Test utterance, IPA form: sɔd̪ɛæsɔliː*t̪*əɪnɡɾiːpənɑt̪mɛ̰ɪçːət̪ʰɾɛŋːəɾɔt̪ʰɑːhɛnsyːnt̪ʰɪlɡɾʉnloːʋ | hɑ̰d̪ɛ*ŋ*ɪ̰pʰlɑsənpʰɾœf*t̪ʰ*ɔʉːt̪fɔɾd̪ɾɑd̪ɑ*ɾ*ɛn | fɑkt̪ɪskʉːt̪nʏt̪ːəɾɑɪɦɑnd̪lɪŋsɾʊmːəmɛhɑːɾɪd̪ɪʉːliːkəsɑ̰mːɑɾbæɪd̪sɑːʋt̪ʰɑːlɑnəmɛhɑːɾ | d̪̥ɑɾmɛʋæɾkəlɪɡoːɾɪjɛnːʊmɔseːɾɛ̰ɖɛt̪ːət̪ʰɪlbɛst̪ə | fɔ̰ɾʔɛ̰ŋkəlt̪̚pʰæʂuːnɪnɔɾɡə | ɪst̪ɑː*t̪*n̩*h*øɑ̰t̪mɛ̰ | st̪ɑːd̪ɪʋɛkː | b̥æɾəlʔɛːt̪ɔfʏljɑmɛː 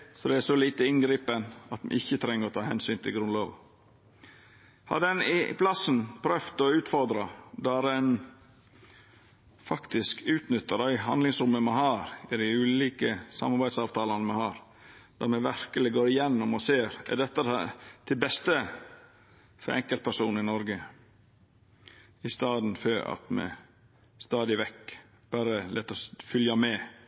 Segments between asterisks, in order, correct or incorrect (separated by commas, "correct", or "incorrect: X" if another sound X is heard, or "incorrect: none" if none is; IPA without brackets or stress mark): correct, incorrect: n, incorrect: t̪, correct, incorrect: d̪, incorrect: f